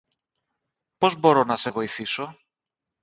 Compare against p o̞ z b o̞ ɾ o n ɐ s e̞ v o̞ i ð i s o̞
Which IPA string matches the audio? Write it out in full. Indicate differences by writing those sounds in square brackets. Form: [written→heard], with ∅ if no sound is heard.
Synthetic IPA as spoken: p o̞ z b o̞ ɾ o n ɐ s e̞ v o̞ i [ð→θ] i s o̞